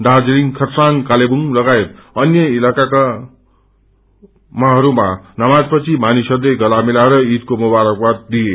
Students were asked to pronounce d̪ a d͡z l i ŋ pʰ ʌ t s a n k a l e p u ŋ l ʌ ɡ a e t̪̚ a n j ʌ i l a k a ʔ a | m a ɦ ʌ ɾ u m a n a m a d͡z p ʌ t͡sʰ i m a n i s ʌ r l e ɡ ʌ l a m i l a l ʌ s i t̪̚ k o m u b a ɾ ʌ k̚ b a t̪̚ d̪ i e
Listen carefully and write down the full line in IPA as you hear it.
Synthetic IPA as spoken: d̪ a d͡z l i ŋ kʰ ʌ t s a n k a l e b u ŋ l ʌ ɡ a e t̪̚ ʌ n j ʌ i l a k a k a | m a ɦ ʌ ɾ u m a n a m a d͡z p ʌ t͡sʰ i m a n i s ʌ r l e ɡ ʌ l a m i l a ɾ ʌ i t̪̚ k o m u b a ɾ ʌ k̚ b a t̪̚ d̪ i e